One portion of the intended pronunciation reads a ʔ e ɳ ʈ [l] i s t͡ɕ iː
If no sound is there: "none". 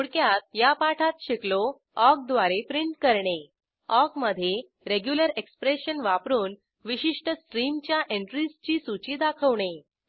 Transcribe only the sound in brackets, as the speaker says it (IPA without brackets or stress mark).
ɾ